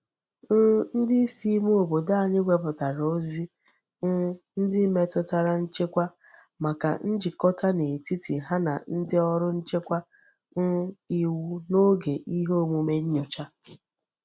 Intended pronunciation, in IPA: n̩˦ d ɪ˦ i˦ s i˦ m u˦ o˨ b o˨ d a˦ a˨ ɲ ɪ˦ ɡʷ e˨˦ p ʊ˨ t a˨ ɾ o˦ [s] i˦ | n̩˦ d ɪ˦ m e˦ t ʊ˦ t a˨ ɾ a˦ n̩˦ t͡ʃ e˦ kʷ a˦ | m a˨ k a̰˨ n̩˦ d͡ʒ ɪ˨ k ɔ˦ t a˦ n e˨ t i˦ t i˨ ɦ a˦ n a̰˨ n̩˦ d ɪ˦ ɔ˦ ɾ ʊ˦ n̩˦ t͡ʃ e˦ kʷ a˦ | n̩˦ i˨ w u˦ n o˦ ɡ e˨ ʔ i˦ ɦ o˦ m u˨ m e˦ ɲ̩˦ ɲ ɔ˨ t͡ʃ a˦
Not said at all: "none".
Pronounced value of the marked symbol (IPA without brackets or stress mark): z